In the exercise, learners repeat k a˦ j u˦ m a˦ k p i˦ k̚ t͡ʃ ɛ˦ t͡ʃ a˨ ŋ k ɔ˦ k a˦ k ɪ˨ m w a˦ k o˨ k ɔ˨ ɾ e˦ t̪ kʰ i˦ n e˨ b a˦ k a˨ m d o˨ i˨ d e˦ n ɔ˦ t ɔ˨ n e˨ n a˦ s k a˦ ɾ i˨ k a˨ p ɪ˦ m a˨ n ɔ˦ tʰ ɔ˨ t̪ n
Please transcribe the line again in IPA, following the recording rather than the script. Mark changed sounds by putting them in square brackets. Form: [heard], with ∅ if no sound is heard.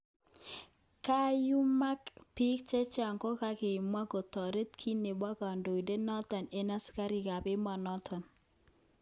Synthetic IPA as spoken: k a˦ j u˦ m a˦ k p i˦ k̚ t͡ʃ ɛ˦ t͡ʃ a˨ ŋ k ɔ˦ k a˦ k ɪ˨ m w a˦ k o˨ [t] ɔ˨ ɾ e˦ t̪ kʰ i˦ n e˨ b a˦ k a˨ [n] d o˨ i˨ d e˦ n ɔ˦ t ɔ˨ n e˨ n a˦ s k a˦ ɾ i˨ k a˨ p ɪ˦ m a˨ n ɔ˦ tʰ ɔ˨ [∅] n